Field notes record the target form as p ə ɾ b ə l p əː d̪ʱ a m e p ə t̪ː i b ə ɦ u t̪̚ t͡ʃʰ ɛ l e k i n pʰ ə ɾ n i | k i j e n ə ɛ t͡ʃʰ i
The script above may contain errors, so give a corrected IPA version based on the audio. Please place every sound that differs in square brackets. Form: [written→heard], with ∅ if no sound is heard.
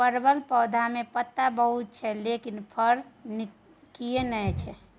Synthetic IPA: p ə ɾ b ə l p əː d̪ʱ a m e p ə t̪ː [i→a] b ə ɦ u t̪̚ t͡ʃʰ ɛ l e k i n pʰ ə ɾ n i | k i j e n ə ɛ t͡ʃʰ [i→ɛ]